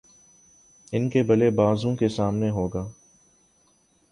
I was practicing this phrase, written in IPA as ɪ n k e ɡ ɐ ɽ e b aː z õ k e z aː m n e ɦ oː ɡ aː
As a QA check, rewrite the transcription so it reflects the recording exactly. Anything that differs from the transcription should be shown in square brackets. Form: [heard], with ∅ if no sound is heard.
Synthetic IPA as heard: ɪ n k e [b] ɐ [l] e b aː z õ k e [s] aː m n e ɦ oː ɡ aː